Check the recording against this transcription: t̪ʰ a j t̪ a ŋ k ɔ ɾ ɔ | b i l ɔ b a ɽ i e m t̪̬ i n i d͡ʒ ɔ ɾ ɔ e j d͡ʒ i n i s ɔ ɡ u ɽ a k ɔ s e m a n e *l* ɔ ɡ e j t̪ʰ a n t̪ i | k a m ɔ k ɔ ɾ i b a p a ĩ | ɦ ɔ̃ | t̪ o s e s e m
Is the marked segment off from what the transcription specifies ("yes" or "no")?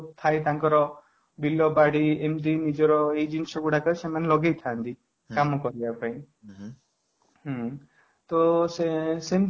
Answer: no